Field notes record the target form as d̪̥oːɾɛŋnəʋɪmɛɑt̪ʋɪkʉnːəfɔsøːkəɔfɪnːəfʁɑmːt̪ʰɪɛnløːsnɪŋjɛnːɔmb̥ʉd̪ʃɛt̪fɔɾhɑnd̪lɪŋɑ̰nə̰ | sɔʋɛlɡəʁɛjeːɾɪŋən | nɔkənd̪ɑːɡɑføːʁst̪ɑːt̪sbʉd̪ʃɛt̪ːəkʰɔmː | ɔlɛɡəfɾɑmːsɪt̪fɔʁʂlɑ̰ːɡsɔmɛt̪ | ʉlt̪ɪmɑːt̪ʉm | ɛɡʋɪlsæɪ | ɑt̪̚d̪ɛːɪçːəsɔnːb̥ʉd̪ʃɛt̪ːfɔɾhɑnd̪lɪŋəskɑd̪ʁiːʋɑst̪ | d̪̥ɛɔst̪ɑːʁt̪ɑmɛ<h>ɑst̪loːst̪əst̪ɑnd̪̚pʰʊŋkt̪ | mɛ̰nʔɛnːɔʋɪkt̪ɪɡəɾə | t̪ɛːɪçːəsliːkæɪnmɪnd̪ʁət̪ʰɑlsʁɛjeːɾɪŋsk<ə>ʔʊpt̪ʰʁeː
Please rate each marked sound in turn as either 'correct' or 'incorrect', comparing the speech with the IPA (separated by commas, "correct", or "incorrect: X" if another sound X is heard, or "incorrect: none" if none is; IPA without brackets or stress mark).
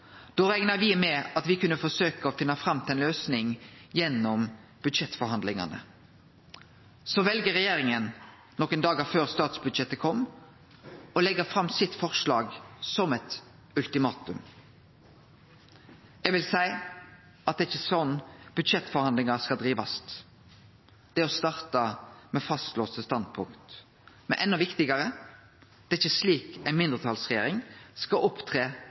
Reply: incorrect: f, incorrect: ɑ